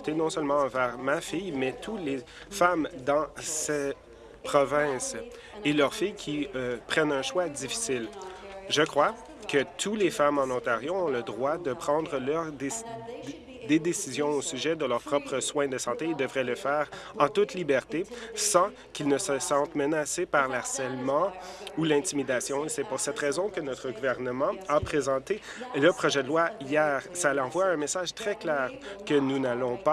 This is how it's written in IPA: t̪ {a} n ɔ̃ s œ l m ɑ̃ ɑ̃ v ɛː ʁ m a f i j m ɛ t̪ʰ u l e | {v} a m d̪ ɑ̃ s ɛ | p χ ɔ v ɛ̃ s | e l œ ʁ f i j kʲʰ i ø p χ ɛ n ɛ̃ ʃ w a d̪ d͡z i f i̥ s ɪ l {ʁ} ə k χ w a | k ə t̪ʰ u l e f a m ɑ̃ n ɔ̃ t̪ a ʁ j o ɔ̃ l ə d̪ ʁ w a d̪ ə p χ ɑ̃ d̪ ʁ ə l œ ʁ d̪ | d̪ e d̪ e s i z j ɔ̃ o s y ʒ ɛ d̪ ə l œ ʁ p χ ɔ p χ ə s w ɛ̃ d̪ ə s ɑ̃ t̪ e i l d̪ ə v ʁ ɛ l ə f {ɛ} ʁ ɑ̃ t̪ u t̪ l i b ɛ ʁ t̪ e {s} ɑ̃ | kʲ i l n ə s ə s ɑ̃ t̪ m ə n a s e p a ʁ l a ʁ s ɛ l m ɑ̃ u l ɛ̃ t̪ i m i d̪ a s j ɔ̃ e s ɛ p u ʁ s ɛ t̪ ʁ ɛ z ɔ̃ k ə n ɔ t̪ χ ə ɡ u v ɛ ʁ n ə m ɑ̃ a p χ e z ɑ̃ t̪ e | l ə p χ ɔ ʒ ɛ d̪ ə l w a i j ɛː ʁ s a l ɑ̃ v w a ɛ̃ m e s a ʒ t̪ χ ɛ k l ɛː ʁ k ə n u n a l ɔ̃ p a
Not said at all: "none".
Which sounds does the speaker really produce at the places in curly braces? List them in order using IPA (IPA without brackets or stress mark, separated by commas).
e, f, ʒ, ɛː, s